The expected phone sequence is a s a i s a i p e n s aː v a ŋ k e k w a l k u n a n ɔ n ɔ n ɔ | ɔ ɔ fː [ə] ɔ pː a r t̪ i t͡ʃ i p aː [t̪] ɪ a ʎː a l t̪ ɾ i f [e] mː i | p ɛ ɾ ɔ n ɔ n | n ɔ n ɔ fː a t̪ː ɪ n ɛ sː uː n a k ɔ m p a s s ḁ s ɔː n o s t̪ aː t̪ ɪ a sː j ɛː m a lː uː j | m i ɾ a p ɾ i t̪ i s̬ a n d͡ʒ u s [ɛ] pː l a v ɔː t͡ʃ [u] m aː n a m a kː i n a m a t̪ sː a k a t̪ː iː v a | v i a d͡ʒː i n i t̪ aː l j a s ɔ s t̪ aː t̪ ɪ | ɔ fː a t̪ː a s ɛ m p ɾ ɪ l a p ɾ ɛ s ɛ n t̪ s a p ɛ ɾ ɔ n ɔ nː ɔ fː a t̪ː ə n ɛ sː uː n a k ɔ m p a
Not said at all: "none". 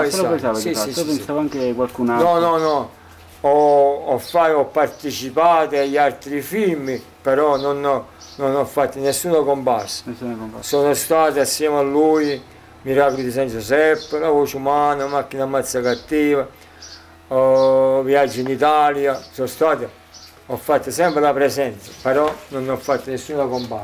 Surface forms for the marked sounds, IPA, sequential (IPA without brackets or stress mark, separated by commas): a, t̪, i, ɛ, u